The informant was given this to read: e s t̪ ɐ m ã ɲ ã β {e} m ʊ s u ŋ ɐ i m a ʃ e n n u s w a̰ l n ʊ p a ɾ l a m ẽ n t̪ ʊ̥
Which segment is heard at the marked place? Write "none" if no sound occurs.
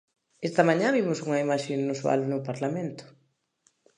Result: i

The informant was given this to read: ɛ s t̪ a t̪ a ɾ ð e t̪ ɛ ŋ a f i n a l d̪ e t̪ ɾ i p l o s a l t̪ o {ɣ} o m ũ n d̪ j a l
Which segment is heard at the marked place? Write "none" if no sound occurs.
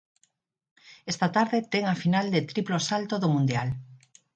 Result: ð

